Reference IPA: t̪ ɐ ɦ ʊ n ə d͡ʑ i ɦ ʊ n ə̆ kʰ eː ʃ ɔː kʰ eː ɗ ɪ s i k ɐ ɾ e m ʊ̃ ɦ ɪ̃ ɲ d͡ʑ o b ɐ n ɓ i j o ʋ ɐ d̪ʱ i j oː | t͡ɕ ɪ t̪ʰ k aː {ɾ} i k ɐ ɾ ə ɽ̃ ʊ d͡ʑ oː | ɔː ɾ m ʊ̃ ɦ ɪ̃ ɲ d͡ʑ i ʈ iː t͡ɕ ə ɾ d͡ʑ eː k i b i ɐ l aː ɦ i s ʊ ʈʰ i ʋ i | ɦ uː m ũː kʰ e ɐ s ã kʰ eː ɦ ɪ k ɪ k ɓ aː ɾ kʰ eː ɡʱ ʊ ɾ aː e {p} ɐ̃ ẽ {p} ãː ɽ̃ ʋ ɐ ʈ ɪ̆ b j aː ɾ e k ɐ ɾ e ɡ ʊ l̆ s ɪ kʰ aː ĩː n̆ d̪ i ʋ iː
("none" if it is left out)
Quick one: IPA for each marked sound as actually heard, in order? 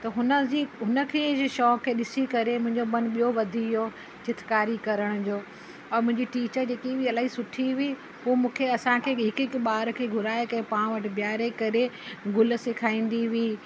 ɾ, k, p

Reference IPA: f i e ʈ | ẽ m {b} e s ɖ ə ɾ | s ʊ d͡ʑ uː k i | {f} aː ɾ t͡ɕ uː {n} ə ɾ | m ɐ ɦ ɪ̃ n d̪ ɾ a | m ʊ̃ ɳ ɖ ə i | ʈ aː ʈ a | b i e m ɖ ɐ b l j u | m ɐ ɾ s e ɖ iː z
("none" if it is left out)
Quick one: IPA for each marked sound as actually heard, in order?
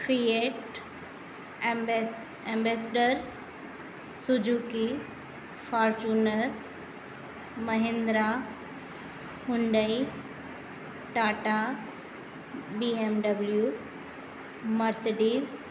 b, f, n

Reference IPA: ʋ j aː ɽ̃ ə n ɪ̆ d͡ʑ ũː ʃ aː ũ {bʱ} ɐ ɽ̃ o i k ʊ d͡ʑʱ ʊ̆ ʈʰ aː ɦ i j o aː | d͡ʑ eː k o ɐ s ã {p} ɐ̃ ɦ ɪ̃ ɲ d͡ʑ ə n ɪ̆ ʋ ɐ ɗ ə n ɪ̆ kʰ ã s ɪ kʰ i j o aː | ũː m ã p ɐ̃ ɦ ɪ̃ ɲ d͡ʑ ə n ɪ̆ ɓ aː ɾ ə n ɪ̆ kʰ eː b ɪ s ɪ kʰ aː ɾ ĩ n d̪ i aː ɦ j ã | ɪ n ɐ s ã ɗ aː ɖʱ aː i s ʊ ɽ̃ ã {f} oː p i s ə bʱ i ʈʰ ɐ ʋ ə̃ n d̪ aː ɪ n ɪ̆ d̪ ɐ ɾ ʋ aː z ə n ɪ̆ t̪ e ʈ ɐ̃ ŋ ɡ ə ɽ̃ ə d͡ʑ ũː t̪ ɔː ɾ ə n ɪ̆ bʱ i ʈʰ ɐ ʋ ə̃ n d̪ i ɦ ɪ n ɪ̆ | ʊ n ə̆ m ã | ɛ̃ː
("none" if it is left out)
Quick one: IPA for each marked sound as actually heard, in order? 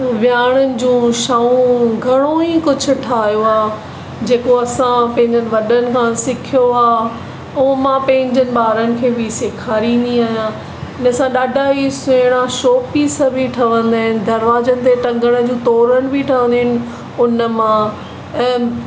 ɡʱ, p, ʃ

